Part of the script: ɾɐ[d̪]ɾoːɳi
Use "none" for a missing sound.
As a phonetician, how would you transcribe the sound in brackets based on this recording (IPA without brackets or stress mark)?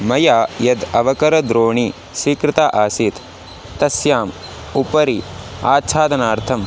d̪